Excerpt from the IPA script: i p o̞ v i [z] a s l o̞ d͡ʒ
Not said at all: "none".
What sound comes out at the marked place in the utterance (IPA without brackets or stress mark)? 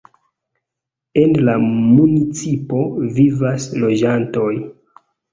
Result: v